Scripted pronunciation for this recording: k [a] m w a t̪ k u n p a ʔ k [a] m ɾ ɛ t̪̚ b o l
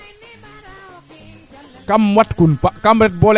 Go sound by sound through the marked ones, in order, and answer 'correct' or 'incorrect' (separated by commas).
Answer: correct, correct